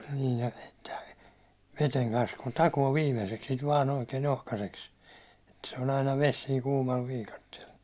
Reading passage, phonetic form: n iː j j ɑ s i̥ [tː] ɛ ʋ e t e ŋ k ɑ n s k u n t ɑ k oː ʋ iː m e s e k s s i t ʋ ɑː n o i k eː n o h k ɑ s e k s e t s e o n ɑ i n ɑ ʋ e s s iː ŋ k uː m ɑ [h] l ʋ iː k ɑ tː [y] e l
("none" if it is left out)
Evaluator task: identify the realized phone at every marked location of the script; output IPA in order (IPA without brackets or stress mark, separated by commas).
tː, none, i